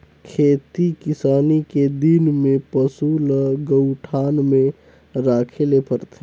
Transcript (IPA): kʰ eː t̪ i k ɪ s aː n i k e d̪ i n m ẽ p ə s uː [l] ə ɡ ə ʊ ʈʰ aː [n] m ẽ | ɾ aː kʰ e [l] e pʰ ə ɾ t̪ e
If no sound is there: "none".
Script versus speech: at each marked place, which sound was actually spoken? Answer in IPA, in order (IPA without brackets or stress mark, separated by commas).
l, n, l